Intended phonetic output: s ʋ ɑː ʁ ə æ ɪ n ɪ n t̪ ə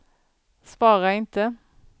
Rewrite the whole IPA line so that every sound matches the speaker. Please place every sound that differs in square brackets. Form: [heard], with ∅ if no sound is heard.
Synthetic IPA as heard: s ʋ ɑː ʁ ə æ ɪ [∅] ɪ n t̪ ə